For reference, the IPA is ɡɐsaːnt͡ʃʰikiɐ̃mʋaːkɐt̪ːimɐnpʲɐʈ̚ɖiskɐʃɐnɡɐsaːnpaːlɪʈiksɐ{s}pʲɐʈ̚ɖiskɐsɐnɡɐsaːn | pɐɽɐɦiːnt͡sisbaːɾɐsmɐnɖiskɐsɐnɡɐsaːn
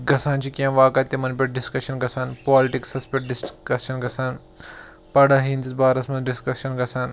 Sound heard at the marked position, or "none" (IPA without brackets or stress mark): s